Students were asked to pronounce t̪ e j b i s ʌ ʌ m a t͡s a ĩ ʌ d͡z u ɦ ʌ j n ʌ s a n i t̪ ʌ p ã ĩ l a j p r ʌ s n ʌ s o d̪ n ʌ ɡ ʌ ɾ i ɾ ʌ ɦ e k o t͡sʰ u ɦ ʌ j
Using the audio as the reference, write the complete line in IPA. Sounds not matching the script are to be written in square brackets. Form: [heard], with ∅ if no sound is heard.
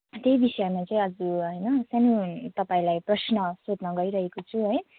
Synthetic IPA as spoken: t̪ e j b i s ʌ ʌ m a t͡s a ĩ ʌ d͡z u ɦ ʌ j n ʌ s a n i t̪ ʌ p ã ĩ l a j p r ʌ s n ʌ s o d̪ n ʌ ɡ ʌ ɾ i ɾ ʌ ɦ e k o t͡sʰ u ɦ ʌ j